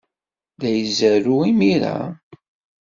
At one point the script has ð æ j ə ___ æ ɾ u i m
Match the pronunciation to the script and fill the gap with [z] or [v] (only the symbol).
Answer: z